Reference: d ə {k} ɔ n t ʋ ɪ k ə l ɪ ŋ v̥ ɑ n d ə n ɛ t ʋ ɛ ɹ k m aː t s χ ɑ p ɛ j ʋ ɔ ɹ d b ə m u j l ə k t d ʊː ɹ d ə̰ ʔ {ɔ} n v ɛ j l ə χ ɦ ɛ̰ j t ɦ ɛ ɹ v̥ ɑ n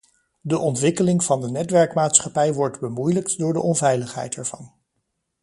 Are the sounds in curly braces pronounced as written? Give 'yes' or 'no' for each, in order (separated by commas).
no, yes